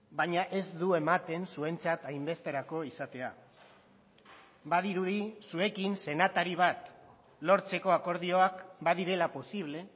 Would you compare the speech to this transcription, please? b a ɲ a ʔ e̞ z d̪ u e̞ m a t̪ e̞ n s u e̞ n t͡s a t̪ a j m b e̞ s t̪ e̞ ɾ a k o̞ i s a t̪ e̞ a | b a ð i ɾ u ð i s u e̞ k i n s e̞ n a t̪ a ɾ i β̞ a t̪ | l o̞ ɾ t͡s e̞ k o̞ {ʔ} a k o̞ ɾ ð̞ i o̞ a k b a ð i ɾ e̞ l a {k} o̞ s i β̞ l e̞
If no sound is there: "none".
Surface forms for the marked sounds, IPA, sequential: none, p

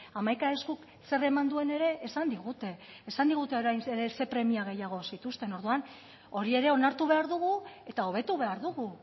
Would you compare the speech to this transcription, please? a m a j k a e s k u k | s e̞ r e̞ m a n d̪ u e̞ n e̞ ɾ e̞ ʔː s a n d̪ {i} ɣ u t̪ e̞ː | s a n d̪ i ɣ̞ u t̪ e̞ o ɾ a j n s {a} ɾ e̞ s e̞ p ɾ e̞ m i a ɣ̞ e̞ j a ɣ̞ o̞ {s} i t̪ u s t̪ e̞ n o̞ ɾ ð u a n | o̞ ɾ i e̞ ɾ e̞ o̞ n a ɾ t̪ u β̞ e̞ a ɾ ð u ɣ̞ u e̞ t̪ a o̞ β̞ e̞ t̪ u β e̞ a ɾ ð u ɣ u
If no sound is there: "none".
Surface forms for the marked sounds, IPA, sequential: i, e, s

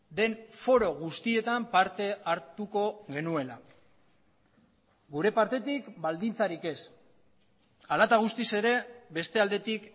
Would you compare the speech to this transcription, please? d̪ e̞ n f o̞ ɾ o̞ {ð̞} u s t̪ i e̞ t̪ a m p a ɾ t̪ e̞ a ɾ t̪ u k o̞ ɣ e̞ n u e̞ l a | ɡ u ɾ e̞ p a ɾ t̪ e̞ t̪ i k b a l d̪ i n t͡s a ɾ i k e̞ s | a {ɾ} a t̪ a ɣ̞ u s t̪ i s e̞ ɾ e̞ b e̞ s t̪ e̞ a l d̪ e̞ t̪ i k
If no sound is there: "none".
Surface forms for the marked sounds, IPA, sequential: ɣ̞, l

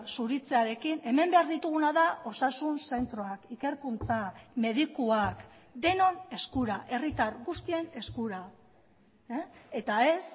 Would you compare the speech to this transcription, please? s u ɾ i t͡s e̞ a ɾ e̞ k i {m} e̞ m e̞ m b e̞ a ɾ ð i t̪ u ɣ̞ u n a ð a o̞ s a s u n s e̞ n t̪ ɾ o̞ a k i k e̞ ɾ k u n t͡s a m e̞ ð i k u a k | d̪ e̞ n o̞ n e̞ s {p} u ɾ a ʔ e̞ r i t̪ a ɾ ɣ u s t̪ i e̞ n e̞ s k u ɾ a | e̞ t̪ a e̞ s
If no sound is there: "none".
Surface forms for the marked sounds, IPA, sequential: n, k

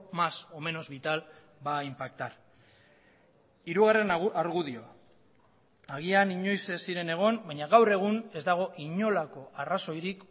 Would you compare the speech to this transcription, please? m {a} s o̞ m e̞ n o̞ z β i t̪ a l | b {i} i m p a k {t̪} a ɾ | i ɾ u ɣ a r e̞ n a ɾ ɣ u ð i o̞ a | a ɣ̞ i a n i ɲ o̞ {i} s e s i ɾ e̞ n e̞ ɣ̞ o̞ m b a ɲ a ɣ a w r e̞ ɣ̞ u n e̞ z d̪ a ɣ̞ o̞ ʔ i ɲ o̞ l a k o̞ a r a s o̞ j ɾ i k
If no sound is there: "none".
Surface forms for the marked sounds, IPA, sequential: a, a, t̪, j

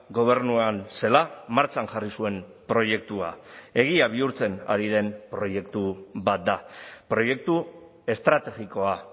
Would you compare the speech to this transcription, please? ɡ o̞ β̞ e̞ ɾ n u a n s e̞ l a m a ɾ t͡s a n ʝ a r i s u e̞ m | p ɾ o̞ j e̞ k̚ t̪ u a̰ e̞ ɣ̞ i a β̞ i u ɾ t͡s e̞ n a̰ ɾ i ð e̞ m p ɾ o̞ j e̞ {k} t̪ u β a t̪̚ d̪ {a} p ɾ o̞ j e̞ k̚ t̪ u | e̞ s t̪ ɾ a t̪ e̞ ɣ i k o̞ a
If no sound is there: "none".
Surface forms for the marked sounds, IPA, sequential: k, a

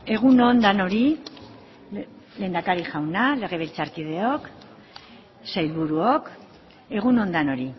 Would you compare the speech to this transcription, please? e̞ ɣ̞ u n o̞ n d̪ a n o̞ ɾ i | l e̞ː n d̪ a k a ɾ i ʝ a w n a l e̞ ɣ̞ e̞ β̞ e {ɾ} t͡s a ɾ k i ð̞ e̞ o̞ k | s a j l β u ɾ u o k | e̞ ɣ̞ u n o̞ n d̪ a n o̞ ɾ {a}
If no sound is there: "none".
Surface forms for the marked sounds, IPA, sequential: l, i

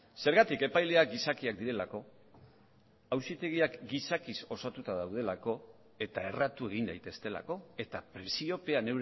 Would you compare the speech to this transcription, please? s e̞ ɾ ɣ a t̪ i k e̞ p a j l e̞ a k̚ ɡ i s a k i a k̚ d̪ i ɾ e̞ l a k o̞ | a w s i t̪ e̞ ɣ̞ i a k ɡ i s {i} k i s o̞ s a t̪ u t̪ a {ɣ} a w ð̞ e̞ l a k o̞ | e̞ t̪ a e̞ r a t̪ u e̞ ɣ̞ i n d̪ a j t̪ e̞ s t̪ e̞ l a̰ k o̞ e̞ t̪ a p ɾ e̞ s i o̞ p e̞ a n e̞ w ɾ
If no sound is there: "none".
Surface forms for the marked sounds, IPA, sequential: a, ð

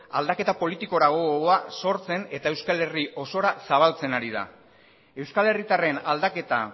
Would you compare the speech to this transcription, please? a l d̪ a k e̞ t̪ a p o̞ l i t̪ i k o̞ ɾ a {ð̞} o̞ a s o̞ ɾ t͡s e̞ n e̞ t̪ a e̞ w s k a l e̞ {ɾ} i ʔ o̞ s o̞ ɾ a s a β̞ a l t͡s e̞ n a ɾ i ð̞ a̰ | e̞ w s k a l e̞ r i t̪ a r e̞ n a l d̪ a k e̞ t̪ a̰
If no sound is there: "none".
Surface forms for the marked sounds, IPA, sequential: ɣ̞, r

